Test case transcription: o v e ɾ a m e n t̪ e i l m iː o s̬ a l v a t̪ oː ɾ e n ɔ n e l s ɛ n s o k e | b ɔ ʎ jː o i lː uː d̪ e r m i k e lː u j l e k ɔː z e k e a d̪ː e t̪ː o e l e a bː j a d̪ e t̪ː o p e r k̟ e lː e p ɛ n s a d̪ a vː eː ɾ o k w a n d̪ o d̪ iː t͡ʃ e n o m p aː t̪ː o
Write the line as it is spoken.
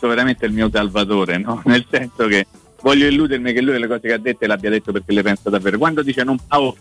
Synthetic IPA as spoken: o v e ɾ a m e n t̪ e i l m iː o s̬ a l v a t̪ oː ɾ e n ɔ n e l s ɛ n s o k e | v ɔ ʎ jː o i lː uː d̪ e r m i k e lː u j l e k ɔː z e k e a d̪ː e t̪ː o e l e a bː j a d̪ e t̪ː o p e r k̟ e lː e p ɛ n s a d̪ a vː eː ɾ o k w a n d̪ o d̪ iː t͡ʃ e n o m p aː o